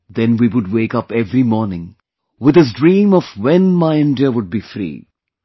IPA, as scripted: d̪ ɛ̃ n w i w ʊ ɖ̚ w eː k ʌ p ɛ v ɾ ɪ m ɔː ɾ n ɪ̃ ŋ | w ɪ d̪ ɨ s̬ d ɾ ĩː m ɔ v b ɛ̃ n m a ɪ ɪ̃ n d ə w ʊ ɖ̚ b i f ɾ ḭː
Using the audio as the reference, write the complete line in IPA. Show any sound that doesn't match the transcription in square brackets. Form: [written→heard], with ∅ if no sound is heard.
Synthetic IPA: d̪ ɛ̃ n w i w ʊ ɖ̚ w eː k ʌ p ɛ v ɾ [ɪ→i] m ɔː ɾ n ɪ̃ ŋ | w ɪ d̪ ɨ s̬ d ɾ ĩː m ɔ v [b→w] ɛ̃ n m a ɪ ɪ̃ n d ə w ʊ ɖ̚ b i f ɾ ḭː